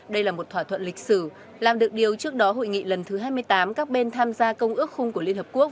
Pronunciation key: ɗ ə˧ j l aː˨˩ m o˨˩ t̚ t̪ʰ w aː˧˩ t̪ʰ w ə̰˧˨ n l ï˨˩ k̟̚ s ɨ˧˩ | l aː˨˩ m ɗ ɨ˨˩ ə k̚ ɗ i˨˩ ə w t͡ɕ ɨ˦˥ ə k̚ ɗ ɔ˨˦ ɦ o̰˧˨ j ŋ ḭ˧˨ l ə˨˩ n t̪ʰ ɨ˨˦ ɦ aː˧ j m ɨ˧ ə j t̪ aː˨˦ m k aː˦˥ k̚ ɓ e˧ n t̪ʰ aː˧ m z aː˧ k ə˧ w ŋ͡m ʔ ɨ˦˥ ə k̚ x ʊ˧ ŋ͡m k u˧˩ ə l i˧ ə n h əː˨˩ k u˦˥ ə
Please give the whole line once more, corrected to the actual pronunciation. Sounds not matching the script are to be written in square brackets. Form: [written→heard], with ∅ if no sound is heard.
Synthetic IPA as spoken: ɗ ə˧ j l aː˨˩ m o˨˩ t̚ t̪ʰ w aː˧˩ t̪ʰ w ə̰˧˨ n l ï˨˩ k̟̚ s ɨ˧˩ | l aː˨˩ m ɗ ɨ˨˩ ə k̚ ɗ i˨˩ ə w t͡ɕ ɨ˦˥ ə k̚ ɗ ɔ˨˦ ɦ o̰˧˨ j ŋ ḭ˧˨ l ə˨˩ n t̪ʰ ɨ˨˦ ɦ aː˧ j m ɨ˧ ə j t̪ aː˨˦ m k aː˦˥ k̚ ɓ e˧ n t̪ʰ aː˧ m z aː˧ k ə˧ w ŋ͡m ʔ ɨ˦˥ ə k̚ x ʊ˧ ŋ͡m k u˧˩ ə l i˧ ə n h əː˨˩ k u˦˥ ə